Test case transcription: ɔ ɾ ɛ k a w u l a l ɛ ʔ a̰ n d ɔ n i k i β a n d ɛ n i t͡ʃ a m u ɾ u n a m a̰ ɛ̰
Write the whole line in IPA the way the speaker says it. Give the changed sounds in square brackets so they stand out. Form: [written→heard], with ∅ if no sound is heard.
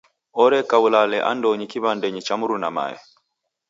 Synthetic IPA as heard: ɔ ɾ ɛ k a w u l a l ɛ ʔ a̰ n d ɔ [n→ɲ] i k i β a n d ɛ [n→ɲ] i t͡ʃ a m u ɾ u n a m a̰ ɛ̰